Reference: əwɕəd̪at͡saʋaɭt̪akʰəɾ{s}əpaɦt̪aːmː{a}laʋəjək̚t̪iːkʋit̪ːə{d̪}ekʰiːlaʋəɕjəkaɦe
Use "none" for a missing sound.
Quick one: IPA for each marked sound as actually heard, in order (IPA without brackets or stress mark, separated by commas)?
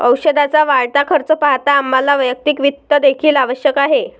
t͡s, a, d̪